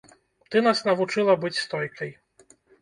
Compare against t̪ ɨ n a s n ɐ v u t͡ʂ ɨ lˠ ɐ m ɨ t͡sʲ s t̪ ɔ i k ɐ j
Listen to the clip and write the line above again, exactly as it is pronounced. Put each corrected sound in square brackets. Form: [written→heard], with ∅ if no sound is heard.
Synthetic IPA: t̪ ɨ n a s n ɐ v u t͡ʂ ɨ lˠ ɐ [m→b] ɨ t͡sʲ s t̪ ɔ [i→j] k ɐ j